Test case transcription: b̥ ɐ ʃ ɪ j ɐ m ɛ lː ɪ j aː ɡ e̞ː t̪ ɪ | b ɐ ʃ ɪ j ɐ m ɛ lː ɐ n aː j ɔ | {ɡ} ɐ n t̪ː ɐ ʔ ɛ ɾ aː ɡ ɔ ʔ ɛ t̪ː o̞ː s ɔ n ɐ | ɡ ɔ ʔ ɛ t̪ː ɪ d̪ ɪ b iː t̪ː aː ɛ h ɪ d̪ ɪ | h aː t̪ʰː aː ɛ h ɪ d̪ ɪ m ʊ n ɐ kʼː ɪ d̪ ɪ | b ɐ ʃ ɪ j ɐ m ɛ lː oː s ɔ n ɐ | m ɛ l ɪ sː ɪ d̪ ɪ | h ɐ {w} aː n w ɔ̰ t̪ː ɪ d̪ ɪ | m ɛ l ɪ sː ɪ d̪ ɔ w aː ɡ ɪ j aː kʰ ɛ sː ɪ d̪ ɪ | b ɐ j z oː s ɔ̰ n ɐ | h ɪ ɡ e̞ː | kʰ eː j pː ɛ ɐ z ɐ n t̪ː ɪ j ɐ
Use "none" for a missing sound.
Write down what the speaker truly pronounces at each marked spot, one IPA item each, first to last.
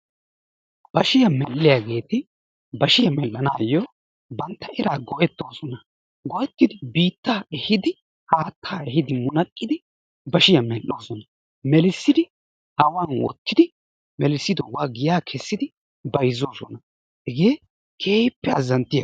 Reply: b, w

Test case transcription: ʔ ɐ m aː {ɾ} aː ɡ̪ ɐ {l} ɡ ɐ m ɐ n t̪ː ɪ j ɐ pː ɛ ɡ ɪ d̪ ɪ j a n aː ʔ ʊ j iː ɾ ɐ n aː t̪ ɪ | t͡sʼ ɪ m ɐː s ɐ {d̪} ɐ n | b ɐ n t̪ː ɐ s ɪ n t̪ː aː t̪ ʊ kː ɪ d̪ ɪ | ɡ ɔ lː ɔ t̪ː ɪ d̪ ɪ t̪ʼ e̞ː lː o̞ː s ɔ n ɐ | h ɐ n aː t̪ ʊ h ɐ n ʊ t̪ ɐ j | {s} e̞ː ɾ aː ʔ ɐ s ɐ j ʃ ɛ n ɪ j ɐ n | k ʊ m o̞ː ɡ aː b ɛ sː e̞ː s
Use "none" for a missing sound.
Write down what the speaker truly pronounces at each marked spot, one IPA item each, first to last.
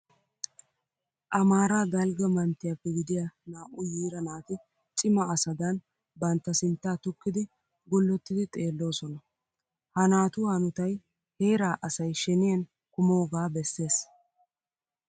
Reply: ɾ, l, d̪, h

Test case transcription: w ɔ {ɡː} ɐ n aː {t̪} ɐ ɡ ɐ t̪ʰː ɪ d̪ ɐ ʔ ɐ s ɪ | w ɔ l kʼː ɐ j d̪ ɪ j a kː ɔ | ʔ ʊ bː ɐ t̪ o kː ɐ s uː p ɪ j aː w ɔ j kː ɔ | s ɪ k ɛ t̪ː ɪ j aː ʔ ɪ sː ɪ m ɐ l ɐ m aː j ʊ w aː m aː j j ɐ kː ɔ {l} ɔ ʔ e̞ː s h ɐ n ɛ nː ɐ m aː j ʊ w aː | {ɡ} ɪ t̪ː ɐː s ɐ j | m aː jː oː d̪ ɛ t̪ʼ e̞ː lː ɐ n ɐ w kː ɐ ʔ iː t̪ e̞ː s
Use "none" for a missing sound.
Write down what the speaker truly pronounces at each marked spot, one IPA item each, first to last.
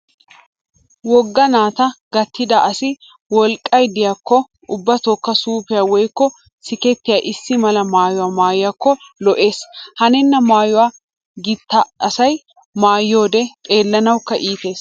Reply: ɡː, t̪, l, ɡ

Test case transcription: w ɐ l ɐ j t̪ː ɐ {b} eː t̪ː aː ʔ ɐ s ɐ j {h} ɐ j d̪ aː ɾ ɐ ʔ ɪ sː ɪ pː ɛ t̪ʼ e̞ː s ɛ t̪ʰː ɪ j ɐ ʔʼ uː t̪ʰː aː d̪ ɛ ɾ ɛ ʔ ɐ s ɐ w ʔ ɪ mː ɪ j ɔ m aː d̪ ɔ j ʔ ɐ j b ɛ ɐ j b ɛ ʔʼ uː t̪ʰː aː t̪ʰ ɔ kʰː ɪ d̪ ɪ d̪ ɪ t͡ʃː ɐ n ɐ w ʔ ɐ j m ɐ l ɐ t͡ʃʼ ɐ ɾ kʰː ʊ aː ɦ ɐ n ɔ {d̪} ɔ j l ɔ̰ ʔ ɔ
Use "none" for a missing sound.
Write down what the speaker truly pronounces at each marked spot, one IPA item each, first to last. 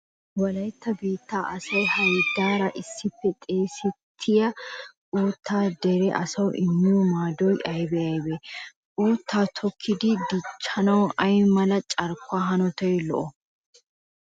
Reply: b, h, t̪

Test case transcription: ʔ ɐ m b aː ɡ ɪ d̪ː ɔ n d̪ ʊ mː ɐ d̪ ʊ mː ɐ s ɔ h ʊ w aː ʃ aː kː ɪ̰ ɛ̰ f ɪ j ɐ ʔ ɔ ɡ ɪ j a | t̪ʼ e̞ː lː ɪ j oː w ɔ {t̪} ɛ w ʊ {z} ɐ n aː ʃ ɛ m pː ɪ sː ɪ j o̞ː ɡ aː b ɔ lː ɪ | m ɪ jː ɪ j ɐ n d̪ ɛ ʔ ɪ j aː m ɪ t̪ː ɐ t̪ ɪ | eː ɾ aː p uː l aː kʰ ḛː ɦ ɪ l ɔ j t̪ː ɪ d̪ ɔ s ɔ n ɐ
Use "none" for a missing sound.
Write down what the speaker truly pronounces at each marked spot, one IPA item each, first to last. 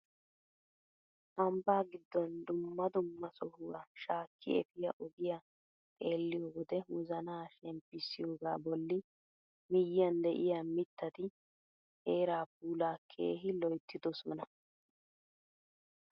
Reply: d̪, z

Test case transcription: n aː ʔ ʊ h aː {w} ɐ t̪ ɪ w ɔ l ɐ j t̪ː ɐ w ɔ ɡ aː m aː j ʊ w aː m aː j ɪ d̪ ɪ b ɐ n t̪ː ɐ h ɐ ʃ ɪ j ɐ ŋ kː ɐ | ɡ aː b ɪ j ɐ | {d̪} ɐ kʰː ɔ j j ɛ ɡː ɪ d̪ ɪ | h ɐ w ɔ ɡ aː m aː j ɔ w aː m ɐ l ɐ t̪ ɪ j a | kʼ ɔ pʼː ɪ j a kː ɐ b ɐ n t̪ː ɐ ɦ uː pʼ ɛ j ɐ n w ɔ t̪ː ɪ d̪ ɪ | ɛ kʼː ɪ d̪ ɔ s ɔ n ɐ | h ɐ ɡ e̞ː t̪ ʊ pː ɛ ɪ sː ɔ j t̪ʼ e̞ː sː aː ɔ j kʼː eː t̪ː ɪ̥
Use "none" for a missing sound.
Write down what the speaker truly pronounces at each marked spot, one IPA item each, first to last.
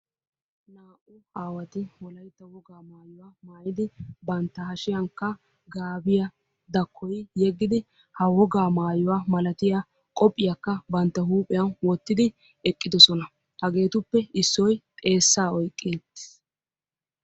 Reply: w, d̪

